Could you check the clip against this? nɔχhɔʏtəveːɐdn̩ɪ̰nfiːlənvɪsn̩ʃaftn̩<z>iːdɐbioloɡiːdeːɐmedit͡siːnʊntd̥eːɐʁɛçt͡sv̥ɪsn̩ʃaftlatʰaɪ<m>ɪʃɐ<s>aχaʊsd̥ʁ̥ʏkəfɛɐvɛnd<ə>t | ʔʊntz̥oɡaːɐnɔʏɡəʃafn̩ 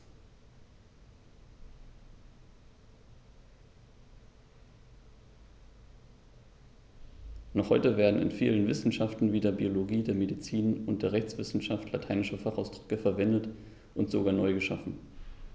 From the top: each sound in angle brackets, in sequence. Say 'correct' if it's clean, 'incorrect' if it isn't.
incorrect, incorrect, incorrect, correct

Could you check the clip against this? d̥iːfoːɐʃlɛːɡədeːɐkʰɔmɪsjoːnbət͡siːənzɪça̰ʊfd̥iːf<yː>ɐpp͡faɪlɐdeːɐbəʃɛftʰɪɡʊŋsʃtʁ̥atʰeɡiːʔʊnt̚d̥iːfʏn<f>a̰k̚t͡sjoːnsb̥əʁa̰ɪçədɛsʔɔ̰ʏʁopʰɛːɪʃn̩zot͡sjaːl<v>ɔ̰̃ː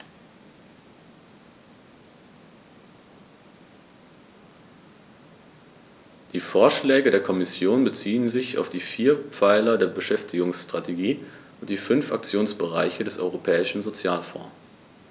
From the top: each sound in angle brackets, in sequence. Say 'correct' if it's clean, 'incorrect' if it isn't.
incorrect, correct, incorrect

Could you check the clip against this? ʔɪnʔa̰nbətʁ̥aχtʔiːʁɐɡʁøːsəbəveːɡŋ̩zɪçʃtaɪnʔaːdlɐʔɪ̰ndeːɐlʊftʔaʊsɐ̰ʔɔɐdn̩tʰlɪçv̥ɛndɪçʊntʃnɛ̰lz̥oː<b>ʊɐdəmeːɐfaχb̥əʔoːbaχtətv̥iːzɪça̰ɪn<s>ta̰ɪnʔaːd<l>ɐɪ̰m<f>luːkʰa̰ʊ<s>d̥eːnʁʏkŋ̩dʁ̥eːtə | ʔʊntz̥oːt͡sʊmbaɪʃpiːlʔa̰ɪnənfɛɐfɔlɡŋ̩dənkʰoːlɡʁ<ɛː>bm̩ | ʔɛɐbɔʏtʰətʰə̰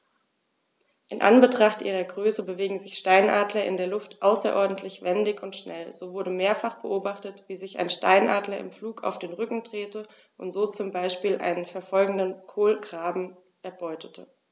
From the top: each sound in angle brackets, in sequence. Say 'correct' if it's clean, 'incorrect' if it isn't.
incorrect, incorrect, correct, correct, incorrect, incorrect

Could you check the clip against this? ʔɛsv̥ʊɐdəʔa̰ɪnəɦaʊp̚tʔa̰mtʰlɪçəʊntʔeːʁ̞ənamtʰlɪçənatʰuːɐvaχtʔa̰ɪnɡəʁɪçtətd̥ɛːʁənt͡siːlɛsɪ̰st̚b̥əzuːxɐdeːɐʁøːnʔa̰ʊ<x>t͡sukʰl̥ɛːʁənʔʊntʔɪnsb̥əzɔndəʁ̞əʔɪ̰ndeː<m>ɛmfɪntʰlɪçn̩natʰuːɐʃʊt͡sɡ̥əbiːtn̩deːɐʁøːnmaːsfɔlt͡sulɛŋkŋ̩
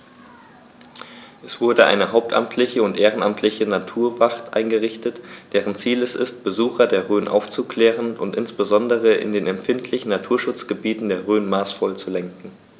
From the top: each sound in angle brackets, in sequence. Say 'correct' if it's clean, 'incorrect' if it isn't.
incorrect, incorrect

